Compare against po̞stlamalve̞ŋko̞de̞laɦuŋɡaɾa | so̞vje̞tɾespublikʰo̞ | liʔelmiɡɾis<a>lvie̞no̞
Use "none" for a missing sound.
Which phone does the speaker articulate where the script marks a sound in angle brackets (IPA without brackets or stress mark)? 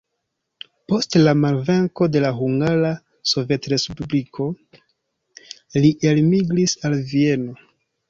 a